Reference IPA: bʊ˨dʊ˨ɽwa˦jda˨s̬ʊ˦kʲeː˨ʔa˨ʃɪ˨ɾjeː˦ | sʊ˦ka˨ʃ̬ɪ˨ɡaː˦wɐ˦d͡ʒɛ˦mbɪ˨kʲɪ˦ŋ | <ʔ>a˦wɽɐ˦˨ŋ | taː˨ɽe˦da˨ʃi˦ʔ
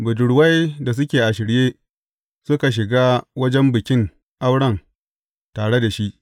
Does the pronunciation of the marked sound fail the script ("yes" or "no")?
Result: no